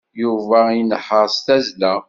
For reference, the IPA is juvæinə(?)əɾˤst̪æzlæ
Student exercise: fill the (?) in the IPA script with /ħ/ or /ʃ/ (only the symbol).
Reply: ħ